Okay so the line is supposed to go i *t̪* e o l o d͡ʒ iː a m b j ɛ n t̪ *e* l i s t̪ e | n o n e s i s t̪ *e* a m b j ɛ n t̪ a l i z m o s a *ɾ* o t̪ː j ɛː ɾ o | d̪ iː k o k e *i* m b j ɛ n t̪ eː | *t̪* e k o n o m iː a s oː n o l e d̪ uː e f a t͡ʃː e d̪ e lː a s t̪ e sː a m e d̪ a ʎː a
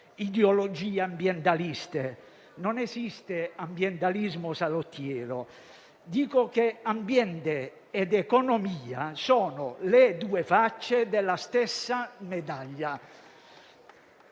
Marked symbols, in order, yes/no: no, no, yes, no, no, no

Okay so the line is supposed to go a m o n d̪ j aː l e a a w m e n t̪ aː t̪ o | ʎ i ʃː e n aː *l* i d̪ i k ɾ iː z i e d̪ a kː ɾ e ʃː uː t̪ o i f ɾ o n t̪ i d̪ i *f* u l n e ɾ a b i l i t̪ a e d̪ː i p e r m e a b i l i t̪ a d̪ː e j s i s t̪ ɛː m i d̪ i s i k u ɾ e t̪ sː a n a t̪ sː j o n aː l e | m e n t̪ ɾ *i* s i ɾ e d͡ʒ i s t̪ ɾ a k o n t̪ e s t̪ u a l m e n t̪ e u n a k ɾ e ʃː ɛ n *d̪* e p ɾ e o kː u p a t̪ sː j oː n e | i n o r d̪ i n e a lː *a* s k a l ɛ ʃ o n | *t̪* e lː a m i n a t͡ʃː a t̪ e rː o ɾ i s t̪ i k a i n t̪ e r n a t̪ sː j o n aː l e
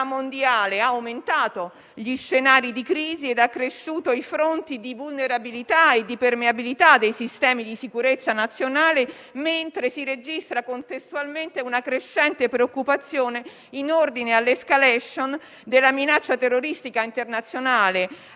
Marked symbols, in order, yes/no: no, no, no, no, no, no

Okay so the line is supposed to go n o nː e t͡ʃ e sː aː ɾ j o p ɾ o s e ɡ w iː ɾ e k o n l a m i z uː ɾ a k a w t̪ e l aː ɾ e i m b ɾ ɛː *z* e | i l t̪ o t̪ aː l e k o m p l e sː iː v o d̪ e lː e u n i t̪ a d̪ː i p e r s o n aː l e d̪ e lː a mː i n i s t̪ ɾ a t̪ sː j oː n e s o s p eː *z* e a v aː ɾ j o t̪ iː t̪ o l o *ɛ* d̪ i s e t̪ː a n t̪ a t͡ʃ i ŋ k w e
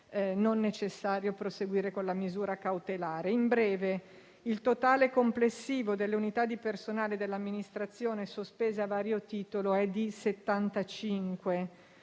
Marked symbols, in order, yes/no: no, yes, yes

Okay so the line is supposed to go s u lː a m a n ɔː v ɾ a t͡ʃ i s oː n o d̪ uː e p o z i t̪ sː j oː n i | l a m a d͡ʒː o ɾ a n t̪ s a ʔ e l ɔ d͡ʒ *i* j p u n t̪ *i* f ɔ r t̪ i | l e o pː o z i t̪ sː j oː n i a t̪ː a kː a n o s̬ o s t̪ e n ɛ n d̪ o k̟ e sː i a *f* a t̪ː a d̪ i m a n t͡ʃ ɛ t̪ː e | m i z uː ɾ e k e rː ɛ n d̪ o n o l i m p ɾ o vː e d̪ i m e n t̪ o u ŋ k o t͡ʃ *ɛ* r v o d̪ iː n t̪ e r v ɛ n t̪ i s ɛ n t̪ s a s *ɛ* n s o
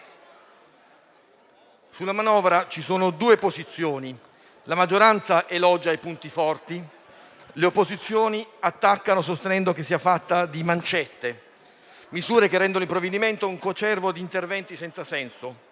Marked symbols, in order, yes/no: no, yes, yes, yes, yes

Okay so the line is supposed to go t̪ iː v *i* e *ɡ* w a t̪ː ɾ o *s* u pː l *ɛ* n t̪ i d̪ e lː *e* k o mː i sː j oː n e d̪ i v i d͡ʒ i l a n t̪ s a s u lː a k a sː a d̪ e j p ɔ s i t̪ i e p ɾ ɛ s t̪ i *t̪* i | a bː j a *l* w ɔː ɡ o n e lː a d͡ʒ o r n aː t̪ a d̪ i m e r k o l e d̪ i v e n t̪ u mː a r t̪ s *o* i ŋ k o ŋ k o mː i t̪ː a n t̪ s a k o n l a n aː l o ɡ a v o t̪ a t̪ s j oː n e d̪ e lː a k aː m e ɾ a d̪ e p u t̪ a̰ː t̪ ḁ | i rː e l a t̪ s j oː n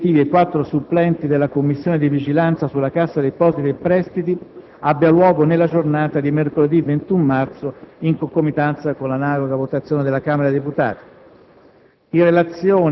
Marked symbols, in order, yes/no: yes, no, yes, yes, no, yes, yes, yes

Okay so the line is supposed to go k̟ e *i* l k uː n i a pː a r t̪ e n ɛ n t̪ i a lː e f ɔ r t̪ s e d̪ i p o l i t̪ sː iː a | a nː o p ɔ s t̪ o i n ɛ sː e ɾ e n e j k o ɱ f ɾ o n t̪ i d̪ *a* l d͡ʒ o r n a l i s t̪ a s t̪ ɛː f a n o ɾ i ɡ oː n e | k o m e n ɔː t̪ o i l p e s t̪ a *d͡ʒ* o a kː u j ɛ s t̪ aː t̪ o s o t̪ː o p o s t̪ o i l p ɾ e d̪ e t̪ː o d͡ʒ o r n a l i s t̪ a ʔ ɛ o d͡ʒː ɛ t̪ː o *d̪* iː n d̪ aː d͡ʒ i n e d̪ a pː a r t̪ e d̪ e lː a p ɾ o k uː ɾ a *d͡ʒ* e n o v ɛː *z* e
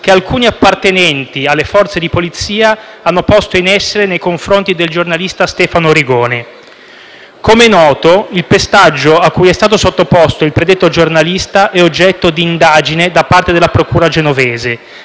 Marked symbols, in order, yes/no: no, no, no, yes, yes, yes

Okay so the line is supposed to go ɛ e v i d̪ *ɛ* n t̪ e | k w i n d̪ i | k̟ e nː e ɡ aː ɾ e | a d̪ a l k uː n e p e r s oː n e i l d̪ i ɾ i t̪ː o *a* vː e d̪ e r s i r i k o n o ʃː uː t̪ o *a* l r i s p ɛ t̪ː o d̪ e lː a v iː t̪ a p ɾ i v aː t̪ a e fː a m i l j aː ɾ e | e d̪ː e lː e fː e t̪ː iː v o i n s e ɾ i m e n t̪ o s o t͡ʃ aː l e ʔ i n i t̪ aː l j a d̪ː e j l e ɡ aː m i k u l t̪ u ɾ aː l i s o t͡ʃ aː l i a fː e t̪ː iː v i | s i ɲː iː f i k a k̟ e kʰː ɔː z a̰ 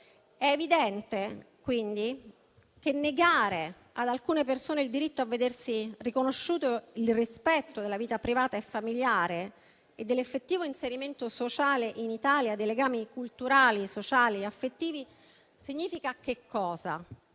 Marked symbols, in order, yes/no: yes, yes, no

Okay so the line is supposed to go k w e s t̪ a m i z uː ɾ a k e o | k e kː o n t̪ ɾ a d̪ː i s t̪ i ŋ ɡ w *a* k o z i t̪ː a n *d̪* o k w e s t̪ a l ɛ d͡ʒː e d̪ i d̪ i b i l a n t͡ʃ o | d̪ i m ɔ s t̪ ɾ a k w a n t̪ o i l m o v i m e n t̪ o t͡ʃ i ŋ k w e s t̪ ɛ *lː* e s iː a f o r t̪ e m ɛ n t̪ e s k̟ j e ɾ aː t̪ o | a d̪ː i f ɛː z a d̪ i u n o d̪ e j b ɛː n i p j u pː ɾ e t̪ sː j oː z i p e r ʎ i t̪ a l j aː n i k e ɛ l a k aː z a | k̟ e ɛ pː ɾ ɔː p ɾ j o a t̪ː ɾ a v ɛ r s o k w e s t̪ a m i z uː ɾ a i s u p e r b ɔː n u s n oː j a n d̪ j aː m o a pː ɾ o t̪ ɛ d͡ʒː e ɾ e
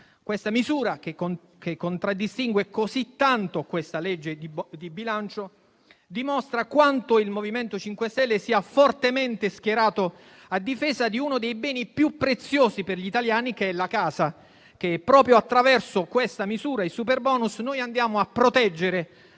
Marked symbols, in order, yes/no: no, no, yes

